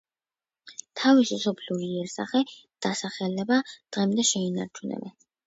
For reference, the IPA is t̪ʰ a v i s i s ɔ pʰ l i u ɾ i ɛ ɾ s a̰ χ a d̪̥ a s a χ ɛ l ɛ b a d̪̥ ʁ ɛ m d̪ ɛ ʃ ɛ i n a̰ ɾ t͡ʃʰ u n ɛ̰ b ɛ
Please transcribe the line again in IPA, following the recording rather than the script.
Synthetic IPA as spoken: t̪ʰ a v i s i s ɔ pʰ l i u ɾ i ɛ ɾ s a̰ χ ɛ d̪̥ a s a χ ɛ l ɛ b a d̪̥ ʁ ɛ m d̪ ɛ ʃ ɛ i n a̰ ɾ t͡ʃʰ u n ɛ̰ b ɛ

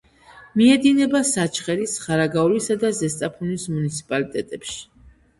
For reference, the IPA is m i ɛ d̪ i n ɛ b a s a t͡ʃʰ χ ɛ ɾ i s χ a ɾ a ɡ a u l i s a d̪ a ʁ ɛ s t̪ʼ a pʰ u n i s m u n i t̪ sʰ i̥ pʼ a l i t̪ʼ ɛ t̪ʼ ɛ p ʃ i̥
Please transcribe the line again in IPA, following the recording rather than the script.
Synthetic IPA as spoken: m i ɛ d̪ i n ɛ b a s a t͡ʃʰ χ ɛ ɾ i s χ a ɾ a ɡ a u l i s a d̪ a z ɛ s t̪ʼ a pʰ u n i s m u n i t̪ sʰ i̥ pʼ a l i t̪ʼ ɛ t̪ʼ ɛ p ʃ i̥

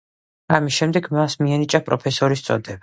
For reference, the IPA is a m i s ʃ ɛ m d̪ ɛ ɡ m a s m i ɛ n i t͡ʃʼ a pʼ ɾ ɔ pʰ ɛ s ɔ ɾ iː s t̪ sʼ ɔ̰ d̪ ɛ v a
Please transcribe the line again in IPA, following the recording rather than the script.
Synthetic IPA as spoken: a m i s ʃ ɛ m d̪ ɛ ɡ m a s m i ɛ n i t͡ʃʼ a pʼ ɾ ɔ pʰ ɛ s ɔ ɾ i s t̪ sʼ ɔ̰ d̪ ɛ b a

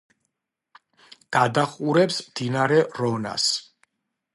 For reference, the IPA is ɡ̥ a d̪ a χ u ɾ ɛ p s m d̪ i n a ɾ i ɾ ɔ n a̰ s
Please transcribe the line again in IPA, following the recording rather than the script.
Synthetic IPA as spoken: ɡ̥ a d̪ a χ u ɾ ɛ p s m d̪ i n a ɾ ɛ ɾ ɔ n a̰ s

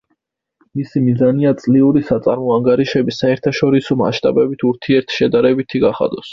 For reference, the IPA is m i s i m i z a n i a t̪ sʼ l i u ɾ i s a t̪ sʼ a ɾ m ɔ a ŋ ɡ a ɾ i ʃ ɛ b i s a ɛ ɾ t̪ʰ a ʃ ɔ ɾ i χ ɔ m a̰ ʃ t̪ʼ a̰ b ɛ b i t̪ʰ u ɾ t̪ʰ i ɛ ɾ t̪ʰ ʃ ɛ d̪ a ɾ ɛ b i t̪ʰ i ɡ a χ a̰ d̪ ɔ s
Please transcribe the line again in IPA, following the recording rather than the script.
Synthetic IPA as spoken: m i s i m i z a n i a t̪ sʼ l i u ɾ i s a t̪ sʼ a ɾ m ɔ a ŋ ɡ a ɾ i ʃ ɛ b i s a ɛ ɾ t̪ʰ a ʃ ɔ ɾ i s ɔ m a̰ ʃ t̪ʼ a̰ b ɛ b i t̪ʰ u ɾ t̪ʰ i ɛ ɾ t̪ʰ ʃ ɛ d̪ a ɾ ɛ b i t̪ʰ i ɡ a χ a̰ d̪ ɔ s

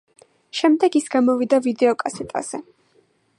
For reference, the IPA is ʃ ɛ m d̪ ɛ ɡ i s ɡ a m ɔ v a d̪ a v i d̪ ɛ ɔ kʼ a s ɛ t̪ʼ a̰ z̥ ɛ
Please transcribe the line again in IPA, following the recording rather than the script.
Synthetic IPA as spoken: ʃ ɛ m d̪ ɛ ɡ i s ɡ a m ɔ v i d̪ a v i d̪ ɛ ɔ kʼ a s ɛ t̪ʼ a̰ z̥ ɛ

